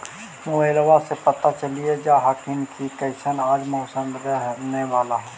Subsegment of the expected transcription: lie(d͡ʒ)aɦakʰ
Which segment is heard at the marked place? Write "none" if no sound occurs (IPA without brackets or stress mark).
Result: d͡ʒ